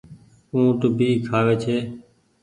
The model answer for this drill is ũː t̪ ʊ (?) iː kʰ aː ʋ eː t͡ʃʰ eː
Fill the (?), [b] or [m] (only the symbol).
b